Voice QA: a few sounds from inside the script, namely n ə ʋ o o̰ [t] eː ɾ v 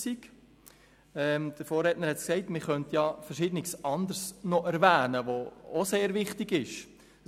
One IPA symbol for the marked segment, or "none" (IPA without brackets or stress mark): s